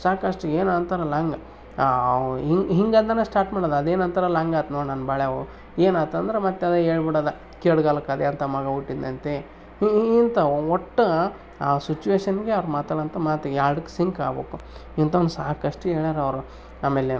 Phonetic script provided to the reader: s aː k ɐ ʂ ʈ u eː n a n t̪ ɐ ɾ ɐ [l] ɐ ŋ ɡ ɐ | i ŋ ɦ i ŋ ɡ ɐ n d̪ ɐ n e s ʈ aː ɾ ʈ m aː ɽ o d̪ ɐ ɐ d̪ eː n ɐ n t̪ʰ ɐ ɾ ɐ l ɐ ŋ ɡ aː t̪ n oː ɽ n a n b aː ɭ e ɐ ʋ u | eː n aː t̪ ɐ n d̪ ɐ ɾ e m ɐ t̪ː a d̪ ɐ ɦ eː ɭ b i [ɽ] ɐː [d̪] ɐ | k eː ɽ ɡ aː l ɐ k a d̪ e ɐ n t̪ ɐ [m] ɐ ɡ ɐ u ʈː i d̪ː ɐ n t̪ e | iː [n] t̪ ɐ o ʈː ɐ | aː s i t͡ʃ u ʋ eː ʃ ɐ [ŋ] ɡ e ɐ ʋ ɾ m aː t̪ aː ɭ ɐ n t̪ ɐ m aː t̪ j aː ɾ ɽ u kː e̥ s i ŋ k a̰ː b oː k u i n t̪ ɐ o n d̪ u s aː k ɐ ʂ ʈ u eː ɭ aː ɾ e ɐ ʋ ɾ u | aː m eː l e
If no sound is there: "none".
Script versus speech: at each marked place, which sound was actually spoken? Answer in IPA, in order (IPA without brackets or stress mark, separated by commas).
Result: l, ɽ, d̪, m, n, n